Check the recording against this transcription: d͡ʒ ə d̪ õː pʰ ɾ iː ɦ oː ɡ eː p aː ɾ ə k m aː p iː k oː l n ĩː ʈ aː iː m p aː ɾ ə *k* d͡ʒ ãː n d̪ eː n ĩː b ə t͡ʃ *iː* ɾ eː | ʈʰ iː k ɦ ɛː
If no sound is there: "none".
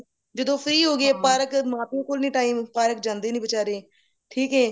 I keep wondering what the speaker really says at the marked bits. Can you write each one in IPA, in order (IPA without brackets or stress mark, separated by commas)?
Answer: k, aː